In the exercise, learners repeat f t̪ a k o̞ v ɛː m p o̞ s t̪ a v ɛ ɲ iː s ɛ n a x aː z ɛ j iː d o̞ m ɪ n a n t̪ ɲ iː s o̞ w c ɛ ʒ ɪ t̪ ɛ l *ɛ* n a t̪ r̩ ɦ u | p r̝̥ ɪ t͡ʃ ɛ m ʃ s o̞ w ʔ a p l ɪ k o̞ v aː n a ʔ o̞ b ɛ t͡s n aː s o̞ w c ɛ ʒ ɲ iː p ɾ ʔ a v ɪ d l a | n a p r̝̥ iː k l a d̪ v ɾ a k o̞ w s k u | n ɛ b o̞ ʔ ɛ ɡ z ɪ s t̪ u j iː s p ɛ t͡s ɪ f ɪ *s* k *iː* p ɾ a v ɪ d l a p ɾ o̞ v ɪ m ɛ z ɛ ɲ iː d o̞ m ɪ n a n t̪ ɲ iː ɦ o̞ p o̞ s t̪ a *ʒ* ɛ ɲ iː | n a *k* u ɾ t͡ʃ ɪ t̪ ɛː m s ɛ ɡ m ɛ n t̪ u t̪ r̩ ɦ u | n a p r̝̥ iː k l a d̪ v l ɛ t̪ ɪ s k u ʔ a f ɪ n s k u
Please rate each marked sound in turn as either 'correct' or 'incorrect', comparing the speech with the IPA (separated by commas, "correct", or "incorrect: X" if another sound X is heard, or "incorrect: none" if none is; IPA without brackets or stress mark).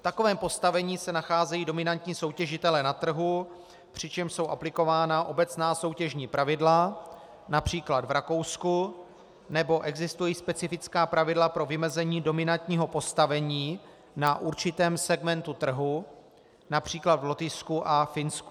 correct, incorrect: t͡s, incorrect: aː, incorrect: v, incorrect: ʔ